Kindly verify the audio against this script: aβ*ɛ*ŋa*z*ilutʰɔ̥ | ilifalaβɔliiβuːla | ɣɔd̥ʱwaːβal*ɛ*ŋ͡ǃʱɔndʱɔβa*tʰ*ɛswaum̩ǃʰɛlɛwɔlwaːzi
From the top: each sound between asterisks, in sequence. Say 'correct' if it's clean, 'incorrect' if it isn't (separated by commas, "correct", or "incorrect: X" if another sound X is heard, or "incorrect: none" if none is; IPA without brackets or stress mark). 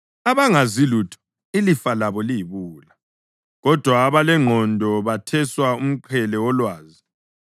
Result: incorrect: a, correct, correct, correct